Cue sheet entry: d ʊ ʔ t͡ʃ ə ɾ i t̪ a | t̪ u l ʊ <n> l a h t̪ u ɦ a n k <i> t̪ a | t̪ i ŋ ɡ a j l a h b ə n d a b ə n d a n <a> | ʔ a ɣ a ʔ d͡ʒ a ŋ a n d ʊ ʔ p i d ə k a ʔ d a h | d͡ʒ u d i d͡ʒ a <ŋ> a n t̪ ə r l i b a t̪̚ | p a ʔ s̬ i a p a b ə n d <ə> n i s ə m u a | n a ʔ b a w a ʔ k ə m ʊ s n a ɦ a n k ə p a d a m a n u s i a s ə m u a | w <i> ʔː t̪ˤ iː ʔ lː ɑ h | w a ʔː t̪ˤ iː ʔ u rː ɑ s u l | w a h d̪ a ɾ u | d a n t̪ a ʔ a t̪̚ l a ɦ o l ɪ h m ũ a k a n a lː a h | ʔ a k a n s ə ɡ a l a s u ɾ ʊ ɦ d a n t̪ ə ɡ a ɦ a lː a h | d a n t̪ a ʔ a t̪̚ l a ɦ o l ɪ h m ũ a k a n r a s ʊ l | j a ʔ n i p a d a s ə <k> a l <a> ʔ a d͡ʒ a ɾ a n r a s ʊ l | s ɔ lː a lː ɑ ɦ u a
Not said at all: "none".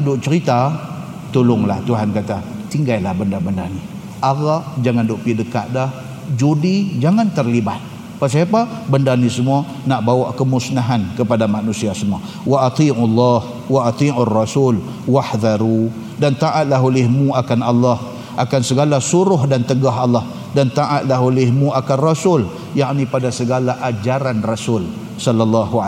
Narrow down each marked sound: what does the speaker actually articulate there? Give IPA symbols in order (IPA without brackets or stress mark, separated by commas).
ŋ, a, i, ŋ, a, a, ɡ, a